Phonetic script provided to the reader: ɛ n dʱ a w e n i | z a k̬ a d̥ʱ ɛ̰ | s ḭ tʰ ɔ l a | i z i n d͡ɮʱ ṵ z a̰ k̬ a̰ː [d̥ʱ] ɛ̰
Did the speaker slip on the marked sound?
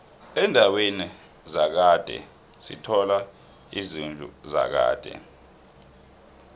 no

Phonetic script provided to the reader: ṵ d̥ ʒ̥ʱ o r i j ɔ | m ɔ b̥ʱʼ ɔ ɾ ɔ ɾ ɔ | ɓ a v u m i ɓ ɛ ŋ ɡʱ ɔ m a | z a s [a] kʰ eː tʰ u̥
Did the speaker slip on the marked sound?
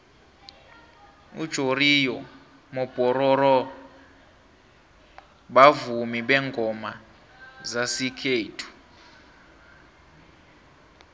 yes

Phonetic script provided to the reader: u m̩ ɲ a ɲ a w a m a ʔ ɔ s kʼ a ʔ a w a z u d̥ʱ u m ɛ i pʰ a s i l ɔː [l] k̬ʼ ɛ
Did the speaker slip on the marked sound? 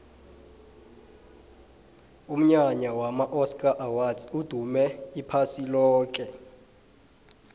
yes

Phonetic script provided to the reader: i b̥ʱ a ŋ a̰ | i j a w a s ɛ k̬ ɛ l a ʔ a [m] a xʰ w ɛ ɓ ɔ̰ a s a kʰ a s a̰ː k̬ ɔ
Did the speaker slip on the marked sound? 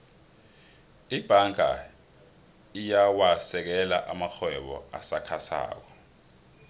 no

